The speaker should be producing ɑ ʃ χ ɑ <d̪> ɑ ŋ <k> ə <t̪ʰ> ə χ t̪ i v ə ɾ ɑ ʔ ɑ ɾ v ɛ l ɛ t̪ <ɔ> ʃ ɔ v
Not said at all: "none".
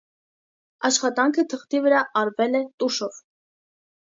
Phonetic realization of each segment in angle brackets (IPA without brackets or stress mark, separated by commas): t̪, kʰ, t̪ʰ, u